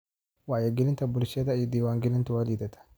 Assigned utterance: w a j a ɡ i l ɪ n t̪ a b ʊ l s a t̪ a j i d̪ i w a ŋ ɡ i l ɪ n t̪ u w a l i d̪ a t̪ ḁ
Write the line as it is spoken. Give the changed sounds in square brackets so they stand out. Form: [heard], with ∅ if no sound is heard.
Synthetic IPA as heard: w a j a ɡ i l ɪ n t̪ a b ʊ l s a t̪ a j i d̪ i w a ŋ ɡ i l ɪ n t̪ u w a l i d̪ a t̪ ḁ